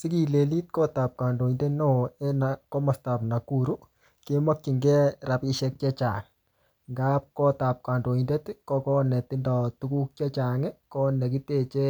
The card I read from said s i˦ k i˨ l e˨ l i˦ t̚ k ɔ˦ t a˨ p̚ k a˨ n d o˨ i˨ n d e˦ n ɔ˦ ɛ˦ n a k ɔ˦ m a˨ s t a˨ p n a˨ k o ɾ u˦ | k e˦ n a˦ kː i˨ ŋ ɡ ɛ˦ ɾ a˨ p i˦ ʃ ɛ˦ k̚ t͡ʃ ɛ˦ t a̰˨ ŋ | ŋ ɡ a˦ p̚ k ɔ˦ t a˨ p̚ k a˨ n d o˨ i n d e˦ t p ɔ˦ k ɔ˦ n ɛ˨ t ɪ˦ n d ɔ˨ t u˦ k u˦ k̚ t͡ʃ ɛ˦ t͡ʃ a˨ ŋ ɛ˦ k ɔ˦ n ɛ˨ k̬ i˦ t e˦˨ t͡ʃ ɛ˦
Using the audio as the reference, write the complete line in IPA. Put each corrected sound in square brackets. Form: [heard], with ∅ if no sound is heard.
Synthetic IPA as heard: s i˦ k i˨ l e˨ l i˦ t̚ k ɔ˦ t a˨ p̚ k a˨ n d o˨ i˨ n d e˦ n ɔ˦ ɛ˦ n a k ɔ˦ m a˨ s t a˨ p n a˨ k [u] ɾ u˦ | k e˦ [m] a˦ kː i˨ ŋ ɡ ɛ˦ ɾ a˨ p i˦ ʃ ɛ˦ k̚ t͡ʃ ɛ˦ [t͡ʃ] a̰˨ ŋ | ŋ ɡ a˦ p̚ k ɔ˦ t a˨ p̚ k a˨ n d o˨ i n d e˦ t [k] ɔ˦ k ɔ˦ n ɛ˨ t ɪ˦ n d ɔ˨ t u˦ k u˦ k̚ t͡ʃ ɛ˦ t͡ʃ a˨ ŋ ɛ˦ k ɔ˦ n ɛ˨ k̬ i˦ t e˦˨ t͡ʃ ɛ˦

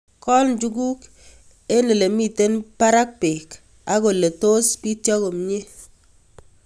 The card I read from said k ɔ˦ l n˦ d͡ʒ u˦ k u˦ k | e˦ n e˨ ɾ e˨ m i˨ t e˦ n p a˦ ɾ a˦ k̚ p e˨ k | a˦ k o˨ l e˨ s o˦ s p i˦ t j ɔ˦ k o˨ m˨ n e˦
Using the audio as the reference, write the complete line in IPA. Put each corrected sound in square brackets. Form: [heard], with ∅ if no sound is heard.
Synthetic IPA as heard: k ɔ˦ l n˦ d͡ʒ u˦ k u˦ k | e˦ n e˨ [l] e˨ m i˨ t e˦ n p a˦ ɾ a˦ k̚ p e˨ k | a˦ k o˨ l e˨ [t] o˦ s p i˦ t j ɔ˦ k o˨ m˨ [ɲ] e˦

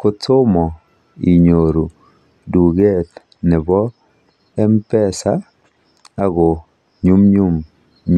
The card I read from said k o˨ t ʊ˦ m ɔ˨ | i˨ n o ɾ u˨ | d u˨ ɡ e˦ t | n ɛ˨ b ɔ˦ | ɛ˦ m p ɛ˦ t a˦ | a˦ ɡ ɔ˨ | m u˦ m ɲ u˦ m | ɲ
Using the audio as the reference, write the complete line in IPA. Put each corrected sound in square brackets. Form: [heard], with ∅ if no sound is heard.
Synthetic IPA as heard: k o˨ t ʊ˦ m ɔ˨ | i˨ [ɲ] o ɾ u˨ | d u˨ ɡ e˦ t | n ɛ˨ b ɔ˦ | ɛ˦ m p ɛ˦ [s] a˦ | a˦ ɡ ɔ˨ | [ɲ] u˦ m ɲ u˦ m | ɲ

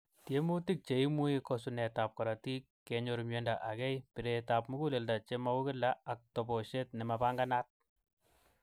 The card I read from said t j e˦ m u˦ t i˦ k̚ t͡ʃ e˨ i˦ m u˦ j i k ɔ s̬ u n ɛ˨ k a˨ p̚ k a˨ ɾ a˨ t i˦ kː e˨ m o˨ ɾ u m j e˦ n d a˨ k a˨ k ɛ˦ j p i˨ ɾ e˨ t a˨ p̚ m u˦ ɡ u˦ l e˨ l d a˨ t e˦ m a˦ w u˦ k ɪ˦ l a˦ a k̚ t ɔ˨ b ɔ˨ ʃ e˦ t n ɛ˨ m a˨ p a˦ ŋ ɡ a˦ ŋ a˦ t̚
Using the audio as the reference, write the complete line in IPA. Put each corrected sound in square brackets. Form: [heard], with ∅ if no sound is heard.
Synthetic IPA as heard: t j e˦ m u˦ t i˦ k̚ t͡ʃ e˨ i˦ m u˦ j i k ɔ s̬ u n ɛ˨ [t] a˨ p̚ k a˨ ɾ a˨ t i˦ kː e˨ [ɲ] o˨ ɾ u m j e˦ n d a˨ [ʔ] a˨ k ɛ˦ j p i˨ ɾ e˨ t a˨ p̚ m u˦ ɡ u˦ l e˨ l d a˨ [t͡ʃ] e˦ m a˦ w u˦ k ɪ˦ l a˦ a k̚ t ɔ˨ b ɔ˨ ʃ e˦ t n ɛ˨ m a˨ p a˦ ŋ ɡ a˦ [n] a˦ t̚

